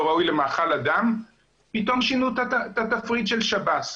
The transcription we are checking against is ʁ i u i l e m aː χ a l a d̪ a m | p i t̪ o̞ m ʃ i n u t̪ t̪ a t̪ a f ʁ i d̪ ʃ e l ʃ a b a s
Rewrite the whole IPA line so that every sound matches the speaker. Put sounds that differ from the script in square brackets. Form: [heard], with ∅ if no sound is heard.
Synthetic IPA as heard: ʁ [a] u [j] l e m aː χ a l a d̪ a m | p i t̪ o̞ m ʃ i n u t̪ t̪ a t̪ a f ʁ i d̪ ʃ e l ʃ a b a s